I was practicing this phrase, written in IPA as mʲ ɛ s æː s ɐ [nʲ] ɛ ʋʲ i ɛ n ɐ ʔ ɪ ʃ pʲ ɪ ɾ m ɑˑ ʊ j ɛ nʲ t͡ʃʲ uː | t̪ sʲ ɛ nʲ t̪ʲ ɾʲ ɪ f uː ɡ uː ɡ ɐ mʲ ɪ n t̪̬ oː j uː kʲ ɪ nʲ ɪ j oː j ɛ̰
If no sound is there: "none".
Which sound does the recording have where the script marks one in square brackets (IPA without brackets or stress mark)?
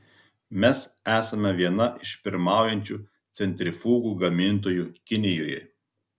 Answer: mʲ